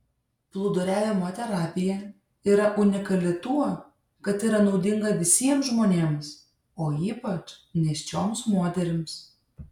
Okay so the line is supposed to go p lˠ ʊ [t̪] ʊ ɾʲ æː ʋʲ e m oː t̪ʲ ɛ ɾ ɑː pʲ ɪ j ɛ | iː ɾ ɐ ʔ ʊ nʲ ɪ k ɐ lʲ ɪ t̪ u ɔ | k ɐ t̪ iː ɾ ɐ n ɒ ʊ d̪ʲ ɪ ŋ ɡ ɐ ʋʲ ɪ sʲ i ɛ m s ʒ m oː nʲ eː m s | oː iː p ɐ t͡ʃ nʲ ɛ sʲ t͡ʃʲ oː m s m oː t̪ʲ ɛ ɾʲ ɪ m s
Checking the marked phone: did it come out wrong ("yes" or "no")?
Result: yes